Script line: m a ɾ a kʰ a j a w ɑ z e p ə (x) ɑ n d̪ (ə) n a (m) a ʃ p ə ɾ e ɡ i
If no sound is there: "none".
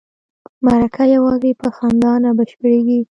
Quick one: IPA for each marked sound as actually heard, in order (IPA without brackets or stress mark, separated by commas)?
x, ɑ, b